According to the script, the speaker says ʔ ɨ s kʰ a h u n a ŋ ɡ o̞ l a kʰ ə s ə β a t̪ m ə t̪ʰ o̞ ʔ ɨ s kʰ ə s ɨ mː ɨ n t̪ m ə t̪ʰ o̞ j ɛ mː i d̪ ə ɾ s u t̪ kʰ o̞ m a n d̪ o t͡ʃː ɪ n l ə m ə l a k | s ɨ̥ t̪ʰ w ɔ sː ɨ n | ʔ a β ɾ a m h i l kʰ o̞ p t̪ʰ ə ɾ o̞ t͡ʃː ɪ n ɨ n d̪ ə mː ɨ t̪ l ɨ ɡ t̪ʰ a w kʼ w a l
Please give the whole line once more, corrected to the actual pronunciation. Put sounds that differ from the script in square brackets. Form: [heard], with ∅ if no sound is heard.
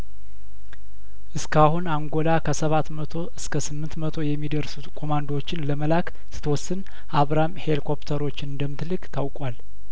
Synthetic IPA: ʔ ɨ s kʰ a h u n a ŋ ɡ o̞ l a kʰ ə s ə β a t̪ m ə t̪ʰ o̞ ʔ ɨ s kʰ ə s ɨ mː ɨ n t̪ m ə t̪ʰ o̞ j ɛ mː i d̪ ə ɾ s u t̪ kʰ o̞ m a n d̪ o t͡ʃː ɪ n l ə m ə l a k | s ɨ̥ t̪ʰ w ɔ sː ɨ n | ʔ a β ɾ a m h [e] l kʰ o̞ p t̪ʰ ə ɾ o̞ t͡ʃː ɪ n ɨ n d̪ ə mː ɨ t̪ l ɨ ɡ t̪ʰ a w kʼ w a l